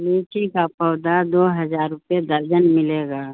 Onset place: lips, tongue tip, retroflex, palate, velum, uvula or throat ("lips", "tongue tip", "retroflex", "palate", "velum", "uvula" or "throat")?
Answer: tongue tip